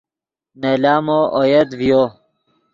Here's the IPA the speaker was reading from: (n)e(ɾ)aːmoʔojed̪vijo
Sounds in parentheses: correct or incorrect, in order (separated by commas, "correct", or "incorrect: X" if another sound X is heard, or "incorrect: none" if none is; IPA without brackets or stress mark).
correct, incorrect: l